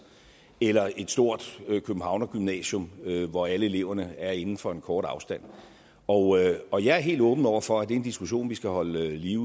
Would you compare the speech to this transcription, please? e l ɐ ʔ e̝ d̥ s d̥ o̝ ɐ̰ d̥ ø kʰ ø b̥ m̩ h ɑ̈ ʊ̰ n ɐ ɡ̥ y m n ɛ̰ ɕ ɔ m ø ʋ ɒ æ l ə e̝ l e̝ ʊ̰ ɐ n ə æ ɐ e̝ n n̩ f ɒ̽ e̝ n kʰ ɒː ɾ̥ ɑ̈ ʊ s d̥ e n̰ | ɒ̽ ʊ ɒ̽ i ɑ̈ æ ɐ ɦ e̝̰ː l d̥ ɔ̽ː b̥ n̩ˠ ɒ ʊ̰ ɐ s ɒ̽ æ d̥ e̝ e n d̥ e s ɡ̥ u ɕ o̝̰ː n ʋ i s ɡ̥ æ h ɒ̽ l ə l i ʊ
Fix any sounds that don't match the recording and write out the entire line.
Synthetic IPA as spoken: e l ɐ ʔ e̝ d̥ s d̥ o̝ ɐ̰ d̥ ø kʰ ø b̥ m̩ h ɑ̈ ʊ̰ n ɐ ɡ̥ y m n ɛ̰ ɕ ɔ m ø ʋ ɒ æ l ə e̝ l e̝ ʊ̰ ɐ n ə æ ɐ e̝ n n̩ f ɒ̽ e̝ n kʰ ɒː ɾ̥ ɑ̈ ʊ s d̥ æ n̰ | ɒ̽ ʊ ɒ̽ j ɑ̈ æ ɐ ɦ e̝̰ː l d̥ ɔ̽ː b̥ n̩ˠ ɒ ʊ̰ ɐ f ɒ̽ æ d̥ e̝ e n d̥ i s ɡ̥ u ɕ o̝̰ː n ʋ i s ɡ̥ æ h ɒ̽ l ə l i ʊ

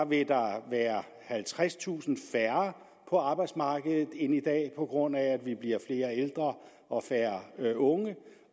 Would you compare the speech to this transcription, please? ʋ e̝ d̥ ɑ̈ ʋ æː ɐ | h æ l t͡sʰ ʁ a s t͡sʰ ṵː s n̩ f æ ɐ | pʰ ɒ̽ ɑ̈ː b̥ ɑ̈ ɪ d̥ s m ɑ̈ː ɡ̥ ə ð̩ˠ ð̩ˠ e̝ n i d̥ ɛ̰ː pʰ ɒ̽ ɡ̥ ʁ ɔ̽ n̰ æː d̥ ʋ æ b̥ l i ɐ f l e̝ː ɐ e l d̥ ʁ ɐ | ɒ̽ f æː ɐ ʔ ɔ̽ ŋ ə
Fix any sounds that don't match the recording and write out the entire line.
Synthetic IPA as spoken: ʋ e̝ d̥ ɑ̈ ʋ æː ɐ | h æ l t͡sʰ ʁ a s t͡sʰ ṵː s n̩ f æ ɐ | pʰ ɒ̽ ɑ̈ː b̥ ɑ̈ ɪ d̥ s m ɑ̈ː ɡ̥ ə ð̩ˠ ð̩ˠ e̝ n i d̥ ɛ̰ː pʰ ɒ̽ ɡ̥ ʁ ɔ̽ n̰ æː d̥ ʋ i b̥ l i ɐ f l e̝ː ɐ e l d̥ ʁ ɐ | ɒ̽ f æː ɐ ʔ ɔ̽ ŋ ə

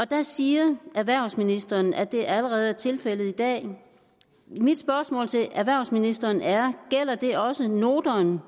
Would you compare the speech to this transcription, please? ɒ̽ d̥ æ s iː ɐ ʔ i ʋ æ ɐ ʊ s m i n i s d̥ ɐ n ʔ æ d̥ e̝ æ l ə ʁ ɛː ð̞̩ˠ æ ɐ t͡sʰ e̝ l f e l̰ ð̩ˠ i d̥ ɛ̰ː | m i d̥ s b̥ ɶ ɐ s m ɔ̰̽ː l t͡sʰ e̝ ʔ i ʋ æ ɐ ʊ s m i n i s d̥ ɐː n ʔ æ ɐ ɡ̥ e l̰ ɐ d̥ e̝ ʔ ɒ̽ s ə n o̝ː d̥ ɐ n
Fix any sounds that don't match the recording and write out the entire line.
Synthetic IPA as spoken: ɒ̽ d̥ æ s iː ɐ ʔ æ ʋ æ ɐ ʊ s m i n i s d̥ ɐ n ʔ æ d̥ e̝ æ l ə ʁ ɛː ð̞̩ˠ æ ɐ t͡sʰ e̝ l f e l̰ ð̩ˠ i d̥ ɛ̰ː | m i d̥ s b̥ ɶ ɐ s m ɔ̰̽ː l t͡sʰ e̝ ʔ æ ʋ æ ɐ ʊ s m i n i s d̥ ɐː n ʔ æ ɐ ɡ̥ e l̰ ɐ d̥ e̝ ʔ ɒ̽ s ə n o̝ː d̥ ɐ n

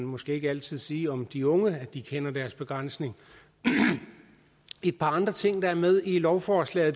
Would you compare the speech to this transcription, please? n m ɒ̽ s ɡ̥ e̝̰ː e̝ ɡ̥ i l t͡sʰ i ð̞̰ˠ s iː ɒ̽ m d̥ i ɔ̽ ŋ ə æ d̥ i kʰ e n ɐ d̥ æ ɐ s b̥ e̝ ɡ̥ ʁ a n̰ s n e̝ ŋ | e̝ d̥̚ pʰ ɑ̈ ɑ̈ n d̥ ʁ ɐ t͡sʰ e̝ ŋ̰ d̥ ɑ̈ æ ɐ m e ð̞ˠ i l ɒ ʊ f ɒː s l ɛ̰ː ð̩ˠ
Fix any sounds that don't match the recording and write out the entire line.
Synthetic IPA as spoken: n m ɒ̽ s ɡ̥ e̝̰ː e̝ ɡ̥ æ l t͡sʰ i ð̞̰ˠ s iː ɒ̽ m d̥ i ɔ̽ ŋ ə æ d̥ i kʰ e n ɐ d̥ æ ɐ s b̥ e̝ ɡ̥ ʁ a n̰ s n e̝ ŋ | e̝ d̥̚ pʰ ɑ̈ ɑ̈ n d̥ ʁ ɐ t͡sʰ e̝ ŋ̰ d̥ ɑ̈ æ ɐ m e ð̞ˠ i l ɒ ʊ f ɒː s l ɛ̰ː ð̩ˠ

